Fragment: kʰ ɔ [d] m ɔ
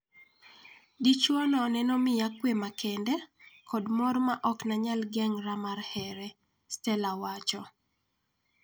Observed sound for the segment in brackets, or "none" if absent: d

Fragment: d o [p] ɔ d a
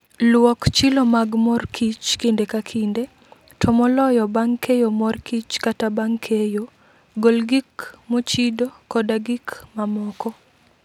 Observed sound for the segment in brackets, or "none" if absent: k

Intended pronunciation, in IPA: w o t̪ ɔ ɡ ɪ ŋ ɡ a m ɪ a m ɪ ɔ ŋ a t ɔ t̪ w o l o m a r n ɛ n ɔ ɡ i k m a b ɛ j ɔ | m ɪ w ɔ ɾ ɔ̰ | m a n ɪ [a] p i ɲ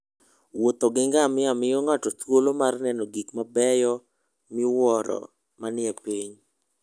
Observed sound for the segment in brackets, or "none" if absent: ɛ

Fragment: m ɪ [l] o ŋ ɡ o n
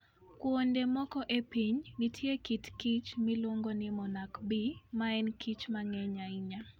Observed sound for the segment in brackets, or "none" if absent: l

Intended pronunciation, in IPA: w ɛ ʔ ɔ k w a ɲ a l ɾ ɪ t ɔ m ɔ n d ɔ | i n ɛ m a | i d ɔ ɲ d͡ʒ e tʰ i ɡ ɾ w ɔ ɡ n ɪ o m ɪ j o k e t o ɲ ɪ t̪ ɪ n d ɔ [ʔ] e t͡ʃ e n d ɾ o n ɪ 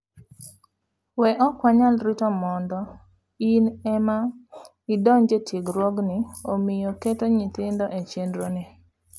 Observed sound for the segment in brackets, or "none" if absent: ʔ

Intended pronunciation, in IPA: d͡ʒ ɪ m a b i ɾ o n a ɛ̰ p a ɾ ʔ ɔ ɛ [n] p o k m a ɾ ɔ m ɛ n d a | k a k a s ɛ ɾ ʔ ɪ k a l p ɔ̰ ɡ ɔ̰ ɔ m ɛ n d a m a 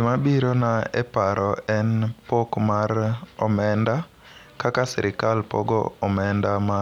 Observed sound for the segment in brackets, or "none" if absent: n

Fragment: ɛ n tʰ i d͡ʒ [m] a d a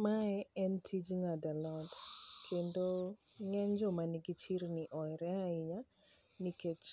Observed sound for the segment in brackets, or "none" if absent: ŋ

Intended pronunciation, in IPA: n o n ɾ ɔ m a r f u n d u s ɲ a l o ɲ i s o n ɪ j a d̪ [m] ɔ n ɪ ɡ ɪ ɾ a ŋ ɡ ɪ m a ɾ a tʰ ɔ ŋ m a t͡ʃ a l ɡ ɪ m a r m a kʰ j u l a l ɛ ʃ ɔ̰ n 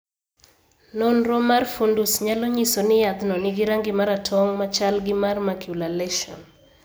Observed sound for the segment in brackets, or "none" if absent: n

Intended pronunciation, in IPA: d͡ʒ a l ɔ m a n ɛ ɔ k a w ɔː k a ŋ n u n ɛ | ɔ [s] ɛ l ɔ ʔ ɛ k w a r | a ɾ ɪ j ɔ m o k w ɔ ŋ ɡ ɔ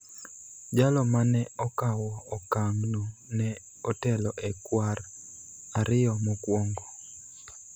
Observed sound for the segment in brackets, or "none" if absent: t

